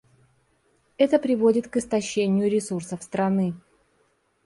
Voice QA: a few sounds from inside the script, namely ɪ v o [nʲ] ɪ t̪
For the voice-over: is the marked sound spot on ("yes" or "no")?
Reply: no